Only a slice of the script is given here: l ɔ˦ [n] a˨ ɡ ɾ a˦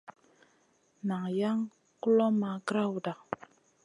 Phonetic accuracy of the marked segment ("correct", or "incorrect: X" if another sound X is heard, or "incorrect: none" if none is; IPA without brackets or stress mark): incorrect: m